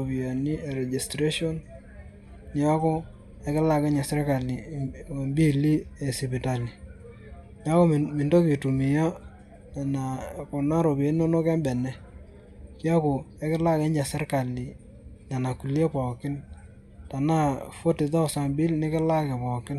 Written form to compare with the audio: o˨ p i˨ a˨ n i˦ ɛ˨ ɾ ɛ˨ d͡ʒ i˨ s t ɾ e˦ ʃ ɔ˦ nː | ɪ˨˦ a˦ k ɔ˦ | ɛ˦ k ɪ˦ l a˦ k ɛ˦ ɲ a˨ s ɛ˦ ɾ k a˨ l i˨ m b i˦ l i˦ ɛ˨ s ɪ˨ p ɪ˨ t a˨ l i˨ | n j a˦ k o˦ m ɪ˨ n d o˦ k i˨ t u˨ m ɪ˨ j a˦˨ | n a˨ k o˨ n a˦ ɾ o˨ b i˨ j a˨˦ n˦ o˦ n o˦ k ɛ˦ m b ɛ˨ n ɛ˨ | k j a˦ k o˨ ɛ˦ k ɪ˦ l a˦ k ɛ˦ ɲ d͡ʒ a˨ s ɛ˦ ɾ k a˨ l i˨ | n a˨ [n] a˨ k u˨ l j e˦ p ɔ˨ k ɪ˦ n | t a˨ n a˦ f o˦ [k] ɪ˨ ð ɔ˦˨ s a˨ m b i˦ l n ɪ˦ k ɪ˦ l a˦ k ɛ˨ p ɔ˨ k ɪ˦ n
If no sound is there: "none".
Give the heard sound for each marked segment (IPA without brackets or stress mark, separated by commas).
n, t